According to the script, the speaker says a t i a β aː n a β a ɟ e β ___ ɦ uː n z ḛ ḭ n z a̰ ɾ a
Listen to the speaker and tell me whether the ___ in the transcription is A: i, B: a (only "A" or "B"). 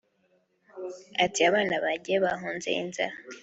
B